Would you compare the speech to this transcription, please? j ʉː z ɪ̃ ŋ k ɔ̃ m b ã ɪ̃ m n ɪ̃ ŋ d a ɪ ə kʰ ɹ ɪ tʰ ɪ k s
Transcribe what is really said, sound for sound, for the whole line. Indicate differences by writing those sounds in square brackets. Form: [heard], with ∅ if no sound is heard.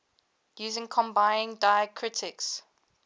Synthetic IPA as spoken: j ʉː z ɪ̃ ŋ [kʰ] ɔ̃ m b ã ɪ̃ [∅] n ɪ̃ ŋ d a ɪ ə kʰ ɹ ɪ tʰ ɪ k s